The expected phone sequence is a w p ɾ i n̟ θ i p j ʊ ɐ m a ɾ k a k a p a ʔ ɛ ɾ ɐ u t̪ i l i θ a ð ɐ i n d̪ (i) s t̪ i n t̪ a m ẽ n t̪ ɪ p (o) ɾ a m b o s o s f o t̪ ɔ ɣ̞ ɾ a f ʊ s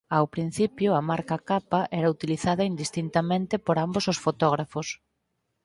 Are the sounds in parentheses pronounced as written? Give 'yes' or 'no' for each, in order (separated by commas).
yes, yes